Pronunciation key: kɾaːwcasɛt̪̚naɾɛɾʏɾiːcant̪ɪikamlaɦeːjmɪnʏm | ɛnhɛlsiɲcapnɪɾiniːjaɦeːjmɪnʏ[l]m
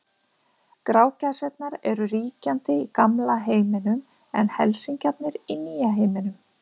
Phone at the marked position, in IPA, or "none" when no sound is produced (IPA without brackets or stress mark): none